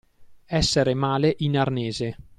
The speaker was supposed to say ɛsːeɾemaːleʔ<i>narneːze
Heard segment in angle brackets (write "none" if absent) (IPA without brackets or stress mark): i